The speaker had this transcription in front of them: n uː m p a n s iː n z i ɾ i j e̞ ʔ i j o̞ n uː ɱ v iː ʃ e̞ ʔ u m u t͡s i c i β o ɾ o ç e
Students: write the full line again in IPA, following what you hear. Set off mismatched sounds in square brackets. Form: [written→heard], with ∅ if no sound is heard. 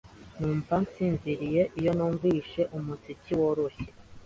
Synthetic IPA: n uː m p a n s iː n z i ɾ i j e̞ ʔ i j o̞ n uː ɱ v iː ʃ e̞ ʔ u m u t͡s i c i [β→w] o ɾ o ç e